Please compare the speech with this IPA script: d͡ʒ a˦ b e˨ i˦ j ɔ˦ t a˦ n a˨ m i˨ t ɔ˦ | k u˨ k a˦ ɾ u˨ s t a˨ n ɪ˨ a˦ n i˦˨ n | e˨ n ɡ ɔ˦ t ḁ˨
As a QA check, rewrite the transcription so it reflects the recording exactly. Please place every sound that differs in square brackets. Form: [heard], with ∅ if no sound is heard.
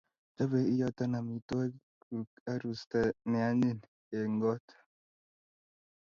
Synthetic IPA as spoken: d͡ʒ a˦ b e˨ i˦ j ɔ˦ t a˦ n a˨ m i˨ t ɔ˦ | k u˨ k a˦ ɾ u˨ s t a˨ n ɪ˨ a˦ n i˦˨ n | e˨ [ŋ] ɡ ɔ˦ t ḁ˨